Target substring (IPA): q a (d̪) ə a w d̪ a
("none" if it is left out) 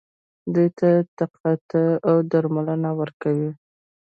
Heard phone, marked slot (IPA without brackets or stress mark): t̪